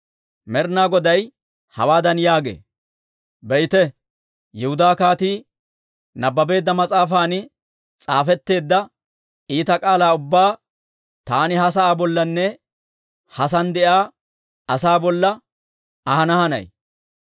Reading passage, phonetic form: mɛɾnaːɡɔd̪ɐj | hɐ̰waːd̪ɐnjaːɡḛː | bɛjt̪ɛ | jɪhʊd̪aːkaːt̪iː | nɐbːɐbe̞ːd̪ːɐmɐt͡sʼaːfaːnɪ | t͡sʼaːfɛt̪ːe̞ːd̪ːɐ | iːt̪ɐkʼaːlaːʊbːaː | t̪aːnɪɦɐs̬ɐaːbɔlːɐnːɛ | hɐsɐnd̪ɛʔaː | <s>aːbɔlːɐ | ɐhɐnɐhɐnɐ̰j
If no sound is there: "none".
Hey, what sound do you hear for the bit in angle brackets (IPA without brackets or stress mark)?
s